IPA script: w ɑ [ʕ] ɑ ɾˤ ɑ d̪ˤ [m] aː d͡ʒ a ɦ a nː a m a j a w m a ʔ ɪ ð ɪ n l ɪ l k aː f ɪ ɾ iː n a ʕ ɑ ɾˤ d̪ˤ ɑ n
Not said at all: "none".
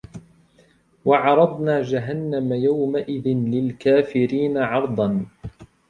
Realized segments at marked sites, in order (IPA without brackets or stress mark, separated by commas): ʕ, n